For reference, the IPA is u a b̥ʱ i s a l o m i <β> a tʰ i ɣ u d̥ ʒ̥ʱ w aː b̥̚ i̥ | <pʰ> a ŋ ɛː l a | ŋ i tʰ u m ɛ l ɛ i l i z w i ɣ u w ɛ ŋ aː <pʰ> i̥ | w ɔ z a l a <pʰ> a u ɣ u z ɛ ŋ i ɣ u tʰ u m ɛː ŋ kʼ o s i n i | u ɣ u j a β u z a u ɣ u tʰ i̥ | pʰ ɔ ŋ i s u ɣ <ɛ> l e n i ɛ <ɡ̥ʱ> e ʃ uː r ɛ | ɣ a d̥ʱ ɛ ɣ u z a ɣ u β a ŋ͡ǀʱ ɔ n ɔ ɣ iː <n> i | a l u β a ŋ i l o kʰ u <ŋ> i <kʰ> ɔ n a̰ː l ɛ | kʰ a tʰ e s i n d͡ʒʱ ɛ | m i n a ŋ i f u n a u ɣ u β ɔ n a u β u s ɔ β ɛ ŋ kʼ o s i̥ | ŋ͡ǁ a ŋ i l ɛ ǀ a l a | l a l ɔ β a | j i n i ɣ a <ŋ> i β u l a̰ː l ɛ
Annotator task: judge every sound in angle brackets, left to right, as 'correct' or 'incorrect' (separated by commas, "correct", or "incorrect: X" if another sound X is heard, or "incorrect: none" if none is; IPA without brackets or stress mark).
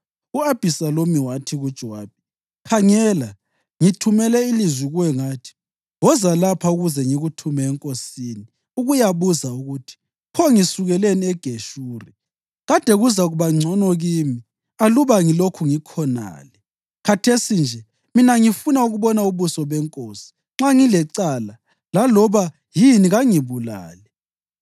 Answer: incorrect: w, incorrect: kʰ, incorrect: tʰ, correct, correct, correct, incorrect: m, correct, correct, correct